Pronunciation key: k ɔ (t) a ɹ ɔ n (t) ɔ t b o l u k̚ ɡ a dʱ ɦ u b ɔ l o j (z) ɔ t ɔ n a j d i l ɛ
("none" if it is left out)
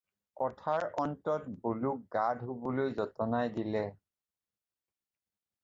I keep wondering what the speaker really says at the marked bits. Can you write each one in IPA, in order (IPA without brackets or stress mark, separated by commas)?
tʰ, t, z